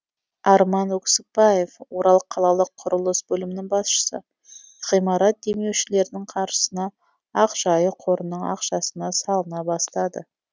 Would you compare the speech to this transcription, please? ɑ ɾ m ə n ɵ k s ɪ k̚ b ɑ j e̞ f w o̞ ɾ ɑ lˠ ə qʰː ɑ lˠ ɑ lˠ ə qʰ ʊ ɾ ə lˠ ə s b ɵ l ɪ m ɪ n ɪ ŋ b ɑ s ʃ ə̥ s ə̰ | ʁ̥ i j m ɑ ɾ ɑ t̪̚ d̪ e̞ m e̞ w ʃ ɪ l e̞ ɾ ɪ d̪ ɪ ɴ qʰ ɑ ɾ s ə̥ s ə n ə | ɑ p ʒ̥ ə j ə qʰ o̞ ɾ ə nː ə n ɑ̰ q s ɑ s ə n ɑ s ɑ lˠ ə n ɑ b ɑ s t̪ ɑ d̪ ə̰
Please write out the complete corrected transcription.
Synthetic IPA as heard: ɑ ɾ m ɑ n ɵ k s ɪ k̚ b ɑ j e̞ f w o̞ ɾ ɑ lˠ ə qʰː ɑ lˠ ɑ lˠ ə qʰ ʊ ɾ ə lˠ ə s b ɵ l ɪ m ɪ n ɪ ŋ b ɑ s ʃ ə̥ s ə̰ | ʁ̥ i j m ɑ ɾ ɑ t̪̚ d̪ e̞ m e̞ w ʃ ɪ l e̞ ɾ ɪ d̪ ɪ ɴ qʰ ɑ ɾ ʃ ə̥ s ə n ɑ | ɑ q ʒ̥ ɑ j ə qʰ o̞ ɾ ə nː ə ɴ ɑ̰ q ʃ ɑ s ə n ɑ s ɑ lˠ ə n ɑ b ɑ s t̪ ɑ d̪ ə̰

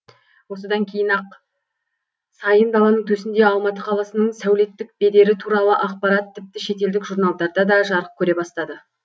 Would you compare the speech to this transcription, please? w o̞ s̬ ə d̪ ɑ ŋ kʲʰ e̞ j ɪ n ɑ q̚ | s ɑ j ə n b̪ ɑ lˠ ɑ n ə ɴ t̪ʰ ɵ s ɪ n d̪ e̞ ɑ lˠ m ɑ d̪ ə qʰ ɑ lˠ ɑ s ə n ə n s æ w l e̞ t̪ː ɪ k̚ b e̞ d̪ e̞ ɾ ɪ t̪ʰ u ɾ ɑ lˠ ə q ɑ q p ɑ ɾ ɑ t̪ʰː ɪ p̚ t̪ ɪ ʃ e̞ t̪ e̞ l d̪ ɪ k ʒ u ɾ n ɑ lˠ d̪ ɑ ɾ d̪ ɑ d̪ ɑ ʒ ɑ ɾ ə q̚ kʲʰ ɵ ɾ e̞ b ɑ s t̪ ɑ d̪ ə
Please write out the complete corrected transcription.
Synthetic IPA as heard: w o̞ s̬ ə d̪ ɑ ŋ kʲʰ e̞ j ɪ n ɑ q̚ | s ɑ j ə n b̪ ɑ lˠ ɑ n ə ɴ t̪ʰ ɵ s ɪ n d̪ e̞ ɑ lˠ m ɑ t̪ ə qʰ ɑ lˠ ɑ s ə n ə ɴ s æ w l e̞ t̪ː ɪ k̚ b e̞ d̪ e̞ ɾ ɪ t̪ʰ u ɾ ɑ lˠ ə ʔ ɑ q p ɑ ɾ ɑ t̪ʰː ɪ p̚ t̪ ɪ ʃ e̞ t̪ e̞ l d̪ ɪ k ʒ u ɾ n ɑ lˠ d̪ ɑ ɾ d̪ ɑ d̪ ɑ ʒ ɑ ɾ ə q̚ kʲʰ ɵ ɾ e̞ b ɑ s t̪ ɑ d̪ ə

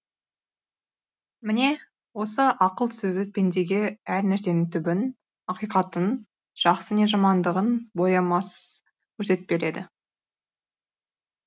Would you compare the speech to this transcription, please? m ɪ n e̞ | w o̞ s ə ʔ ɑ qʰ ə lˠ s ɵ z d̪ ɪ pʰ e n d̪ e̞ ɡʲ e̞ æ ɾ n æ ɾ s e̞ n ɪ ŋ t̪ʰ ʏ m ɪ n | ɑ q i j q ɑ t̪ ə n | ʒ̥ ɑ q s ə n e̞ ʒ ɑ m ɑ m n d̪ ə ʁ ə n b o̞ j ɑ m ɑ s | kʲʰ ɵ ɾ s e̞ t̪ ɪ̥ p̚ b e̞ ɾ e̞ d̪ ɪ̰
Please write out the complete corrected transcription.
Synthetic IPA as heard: m ɪ n e̞ | w o̞ s ə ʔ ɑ q ə lˠ s ɵ z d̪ ɪ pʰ e n d̪ e̞ ɡʲ e̞ æ ɾ n æ ɾ s e̞ n ɪ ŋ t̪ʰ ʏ b ɪ n | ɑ q i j q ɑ t̪ ə n | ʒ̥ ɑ q s ə n e̞ ʒ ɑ m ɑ n d̪ ə ʁ ə n b o̞ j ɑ m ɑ s | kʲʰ ɵ ɾ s e̞ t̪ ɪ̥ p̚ b e̞ ɾ e̞ d̪ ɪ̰

